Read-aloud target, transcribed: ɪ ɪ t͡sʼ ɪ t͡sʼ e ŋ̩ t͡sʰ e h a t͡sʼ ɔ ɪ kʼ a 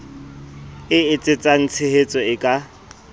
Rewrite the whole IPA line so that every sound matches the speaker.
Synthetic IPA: ɪ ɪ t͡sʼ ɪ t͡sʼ a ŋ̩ t͡sʰ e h e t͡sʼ ɔ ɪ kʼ a